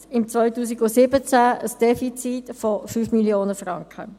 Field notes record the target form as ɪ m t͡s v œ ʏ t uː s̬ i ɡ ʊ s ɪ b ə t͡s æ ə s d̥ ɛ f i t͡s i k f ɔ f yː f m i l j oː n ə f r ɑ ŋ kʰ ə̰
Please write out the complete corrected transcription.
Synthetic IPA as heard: ɪ m t͡s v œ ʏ t uː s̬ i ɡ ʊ s ɪ b ə t͡s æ ə s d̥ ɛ f i t͡s i t f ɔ f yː f m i l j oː n ə f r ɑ ŋ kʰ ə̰